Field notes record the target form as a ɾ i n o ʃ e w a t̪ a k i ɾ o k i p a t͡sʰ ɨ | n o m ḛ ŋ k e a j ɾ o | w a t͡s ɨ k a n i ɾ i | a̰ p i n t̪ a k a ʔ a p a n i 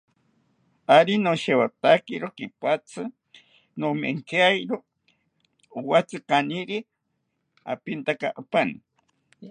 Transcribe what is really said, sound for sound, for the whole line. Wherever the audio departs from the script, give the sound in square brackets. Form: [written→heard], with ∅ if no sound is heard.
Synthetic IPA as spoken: a ɾ i n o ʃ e w a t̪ a k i ɾ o k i p a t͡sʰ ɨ | n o m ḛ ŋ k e a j ɾ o | w a t͡s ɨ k a n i ɾ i | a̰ p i n t̪ a k a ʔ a p a n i

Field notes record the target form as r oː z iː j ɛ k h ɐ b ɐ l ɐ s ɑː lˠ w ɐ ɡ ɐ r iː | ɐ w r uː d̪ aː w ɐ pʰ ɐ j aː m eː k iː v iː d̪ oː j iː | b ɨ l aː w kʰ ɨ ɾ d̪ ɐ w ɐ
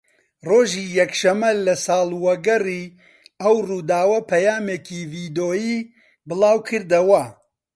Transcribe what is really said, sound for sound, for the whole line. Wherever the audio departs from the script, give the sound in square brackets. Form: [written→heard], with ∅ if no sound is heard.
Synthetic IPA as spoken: r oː [z→ʒ] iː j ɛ k [h→ʃ] ɐ [b→m] ɐ l ɐ s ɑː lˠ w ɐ ɡ ɐ r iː | ɐ w r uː d̪ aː w ɐ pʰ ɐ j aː m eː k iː v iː d̪ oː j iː | b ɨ l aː w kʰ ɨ ɾ d̪ ɐ w ɐ

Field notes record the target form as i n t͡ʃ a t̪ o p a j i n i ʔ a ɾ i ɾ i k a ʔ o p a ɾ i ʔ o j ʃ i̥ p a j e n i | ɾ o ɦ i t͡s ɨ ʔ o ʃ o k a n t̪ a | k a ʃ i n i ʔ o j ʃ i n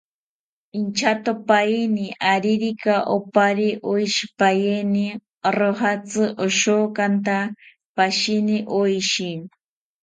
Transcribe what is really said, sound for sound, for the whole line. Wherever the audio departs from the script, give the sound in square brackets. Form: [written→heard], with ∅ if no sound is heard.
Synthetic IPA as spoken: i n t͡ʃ a t̪ o p a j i n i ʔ a ɾ i ɾ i k a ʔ o p a ɾ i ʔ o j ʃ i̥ p a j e n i | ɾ o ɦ [i→a] t͡s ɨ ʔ o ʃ o k a n t̪ a | [k→p] a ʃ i n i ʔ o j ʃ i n

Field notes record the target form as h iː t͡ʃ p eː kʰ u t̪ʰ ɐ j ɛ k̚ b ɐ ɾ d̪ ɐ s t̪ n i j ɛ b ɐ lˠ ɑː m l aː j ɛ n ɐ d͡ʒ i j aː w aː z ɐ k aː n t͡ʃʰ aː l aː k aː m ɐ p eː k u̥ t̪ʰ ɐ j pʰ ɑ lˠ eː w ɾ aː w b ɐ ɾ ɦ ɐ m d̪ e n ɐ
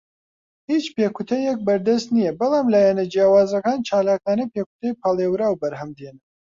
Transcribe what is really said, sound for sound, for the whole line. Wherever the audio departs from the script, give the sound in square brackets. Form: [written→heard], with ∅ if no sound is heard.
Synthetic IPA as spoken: h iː t͡ʃ p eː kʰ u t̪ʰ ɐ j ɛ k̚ b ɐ ɾ d̪ ɐ s t̪ n i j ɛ b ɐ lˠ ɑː m l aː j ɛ n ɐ d͡ʒ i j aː w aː z ɐ k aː n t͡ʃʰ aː l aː k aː [m→n] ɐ p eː k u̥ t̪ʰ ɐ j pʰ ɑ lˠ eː w ɾ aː w b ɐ ɾ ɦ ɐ m d̪ e n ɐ

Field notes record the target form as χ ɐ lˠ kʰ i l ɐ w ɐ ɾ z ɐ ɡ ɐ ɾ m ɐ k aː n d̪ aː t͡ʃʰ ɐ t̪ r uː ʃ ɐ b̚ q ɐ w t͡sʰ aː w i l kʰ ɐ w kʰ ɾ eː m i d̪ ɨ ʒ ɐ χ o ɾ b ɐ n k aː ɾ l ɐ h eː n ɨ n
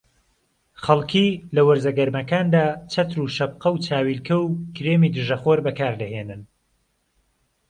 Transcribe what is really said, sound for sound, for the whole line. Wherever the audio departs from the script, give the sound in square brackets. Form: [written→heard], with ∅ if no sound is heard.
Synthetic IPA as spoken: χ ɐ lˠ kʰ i l ɐ w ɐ ɾ z ɐ ɡ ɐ ɾ m ɐ k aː n d̪ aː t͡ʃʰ ɐ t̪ [r→ɾ] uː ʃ ɐ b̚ q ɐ w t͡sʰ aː w i l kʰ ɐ w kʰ ɾ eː m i d̪ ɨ ʒ ɐ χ o ɾ b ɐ [n→∅] k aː ɾ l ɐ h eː n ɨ n

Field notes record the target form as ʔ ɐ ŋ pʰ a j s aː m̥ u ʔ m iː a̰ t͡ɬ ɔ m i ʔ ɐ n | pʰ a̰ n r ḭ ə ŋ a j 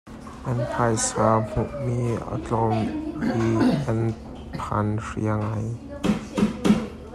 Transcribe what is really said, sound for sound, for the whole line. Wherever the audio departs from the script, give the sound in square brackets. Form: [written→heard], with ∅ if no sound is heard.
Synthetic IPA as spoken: ʔ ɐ [ŋ→n] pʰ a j s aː m̥ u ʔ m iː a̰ t͡ɬ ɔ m i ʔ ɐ n | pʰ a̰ n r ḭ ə ŋ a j

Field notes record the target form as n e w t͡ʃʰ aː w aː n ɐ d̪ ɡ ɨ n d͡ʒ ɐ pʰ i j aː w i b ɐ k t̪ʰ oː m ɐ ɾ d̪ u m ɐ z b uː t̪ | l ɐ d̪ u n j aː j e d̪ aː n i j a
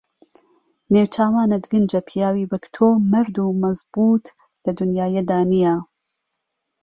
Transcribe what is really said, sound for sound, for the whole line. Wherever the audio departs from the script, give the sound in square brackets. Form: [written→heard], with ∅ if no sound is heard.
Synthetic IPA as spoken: n e w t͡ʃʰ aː w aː n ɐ d̪ ɡ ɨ n d͡ʒ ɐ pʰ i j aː w i b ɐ k t̪ʰ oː m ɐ ɾ d̪ u m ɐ z b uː t̪ | l ɐ d̪ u n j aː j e d̪ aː n i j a

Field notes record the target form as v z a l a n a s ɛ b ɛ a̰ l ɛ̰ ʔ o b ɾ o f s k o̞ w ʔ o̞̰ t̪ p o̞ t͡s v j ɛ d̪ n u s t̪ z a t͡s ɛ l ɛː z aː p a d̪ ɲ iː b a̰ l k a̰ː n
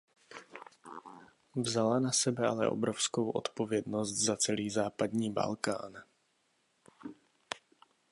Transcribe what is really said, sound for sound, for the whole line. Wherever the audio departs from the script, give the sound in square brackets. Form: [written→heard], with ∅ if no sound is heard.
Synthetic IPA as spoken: v z a l a n a s ɛ b ɛ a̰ l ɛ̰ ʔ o b ɾ o f s k o̞ w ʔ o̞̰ t̪ p o̞ [t͡s→∅] v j ɛ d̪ n [u→o] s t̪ z a t͡s ɛ l [ɛː→iː] z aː p a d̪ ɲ iː b a̰ l k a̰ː n

